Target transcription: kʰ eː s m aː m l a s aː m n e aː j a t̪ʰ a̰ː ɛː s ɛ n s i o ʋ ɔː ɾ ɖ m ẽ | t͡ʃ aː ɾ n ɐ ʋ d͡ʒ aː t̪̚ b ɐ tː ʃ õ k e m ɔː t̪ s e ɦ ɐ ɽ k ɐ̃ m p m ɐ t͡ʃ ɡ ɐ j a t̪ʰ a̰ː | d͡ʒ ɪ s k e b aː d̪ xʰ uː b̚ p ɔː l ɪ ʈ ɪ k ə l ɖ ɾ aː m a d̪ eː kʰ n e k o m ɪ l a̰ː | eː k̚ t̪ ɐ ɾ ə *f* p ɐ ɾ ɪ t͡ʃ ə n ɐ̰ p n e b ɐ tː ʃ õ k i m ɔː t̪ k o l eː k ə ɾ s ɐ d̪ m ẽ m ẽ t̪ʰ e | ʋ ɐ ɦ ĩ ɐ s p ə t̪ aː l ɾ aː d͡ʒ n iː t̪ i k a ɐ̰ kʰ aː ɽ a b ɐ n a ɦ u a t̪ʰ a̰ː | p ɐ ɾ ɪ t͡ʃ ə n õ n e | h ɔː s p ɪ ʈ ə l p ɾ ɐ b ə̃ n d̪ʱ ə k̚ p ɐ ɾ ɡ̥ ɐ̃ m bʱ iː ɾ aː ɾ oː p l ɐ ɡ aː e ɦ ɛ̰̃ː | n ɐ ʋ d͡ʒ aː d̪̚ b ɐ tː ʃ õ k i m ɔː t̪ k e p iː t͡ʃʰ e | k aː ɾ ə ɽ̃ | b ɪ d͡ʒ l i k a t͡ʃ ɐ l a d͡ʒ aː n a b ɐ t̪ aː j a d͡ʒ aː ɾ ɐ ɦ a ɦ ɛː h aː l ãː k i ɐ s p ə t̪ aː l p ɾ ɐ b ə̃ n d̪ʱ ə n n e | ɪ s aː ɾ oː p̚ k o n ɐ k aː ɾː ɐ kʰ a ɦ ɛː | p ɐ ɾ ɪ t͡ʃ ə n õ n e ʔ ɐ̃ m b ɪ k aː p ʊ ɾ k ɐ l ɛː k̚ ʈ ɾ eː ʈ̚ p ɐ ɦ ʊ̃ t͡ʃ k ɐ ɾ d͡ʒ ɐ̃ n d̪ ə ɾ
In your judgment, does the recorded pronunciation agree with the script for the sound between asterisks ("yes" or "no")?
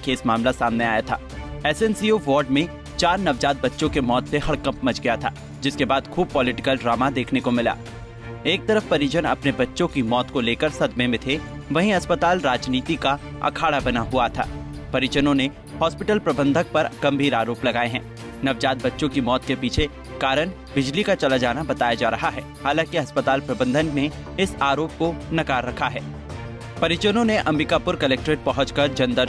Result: yes